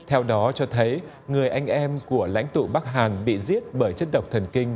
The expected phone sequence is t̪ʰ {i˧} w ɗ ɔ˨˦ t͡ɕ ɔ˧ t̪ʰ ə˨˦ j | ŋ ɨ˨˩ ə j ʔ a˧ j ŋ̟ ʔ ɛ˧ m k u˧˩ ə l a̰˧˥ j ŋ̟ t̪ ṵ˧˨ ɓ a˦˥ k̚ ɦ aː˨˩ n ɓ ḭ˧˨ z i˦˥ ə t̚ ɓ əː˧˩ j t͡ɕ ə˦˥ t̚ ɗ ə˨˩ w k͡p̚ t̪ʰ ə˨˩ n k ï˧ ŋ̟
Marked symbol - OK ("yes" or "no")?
no